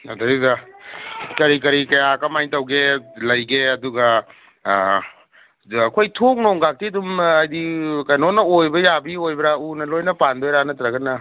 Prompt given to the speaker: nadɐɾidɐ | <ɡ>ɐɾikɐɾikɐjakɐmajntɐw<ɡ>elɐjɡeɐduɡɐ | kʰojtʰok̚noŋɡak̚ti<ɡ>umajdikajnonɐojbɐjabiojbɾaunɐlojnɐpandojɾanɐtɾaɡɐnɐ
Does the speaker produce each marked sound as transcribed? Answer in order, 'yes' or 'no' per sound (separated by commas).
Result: no, yes, no